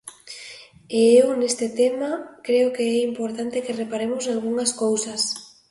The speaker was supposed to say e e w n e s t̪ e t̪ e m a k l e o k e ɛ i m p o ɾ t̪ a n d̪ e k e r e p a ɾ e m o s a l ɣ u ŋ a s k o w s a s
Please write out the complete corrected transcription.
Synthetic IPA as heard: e e w n e s t̪ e t̪ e m a k ɾ e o k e ɛ i m p o ɾ t̪ a n t̪ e k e r e p a ɾ e m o s a l ɣ u ŋ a s k o w s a s